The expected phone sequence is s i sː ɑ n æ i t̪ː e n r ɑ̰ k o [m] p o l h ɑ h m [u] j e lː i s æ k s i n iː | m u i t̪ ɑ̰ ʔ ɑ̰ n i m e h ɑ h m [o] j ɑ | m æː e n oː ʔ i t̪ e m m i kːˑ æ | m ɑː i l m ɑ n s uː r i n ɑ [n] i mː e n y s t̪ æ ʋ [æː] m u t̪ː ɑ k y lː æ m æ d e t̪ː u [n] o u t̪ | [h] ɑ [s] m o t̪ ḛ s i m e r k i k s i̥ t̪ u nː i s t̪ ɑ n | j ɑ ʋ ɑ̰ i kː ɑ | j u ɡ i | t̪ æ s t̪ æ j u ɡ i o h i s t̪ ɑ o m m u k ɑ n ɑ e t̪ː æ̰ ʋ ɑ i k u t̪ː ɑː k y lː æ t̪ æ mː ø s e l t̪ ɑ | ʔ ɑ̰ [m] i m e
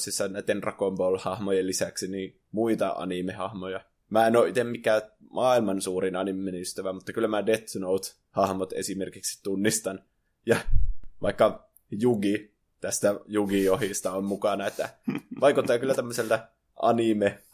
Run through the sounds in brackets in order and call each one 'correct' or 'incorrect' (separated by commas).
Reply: correct, incorrect, correct, correct, incorrect, correct, correct, incorrect, incorrect